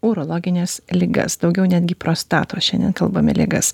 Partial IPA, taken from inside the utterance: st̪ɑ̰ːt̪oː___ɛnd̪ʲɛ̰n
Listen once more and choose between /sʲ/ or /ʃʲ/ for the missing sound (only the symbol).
ʃʲ